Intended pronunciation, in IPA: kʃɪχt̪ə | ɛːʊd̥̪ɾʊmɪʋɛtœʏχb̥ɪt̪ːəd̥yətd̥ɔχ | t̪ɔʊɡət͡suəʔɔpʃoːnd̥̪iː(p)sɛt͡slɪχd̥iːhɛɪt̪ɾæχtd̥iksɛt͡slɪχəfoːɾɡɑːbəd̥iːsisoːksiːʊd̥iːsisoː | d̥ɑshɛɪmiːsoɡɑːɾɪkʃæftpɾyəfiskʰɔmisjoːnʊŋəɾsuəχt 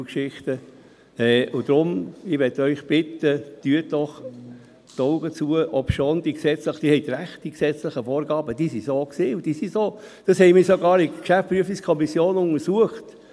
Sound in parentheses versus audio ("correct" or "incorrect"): incorrect